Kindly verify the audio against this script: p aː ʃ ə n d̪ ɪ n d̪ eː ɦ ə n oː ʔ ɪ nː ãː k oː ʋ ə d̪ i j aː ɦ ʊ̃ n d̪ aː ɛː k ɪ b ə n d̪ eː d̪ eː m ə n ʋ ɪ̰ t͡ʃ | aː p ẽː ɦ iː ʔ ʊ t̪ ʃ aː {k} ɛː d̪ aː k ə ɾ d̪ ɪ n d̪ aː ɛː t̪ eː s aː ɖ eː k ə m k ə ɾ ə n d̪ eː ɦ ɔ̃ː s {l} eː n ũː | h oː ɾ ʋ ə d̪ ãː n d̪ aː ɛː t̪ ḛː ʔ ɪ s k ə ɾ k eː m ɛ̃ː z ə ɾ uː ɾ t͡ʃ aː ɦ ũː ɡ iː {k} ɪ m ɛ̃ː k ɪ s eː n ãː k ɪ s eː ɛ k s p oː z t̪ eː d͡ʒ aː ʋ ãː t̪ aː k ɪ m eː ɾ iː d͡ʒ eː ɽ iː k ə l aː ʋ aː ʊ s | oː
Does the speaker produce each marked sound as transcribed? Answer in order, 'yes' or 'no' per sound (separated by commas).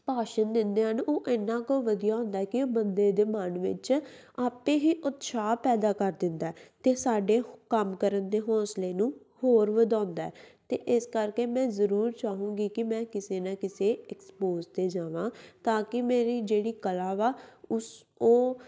no, yes, yes